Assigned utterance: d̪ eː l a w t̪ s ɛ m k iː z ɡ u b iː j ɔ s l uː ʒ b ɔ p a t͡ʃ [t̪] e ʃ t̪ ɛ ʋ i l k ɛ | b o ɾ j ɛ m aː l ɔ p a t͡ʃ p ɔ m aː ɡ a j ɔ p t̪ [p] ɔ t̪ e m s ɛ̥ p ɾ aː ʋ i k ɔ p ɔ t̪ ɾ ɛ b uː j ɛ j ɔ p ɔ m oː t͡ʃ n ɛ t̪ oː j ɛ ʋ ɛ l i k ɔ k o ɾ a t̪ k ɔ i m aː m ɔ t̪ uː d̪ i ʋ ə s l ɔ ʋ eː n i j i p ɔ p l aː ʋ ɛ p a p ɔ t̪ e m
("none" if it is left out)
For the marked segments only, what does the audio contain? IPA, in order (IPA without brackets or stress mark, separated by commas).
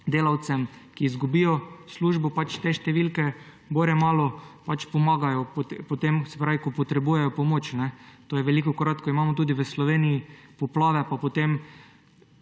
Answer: t̪, p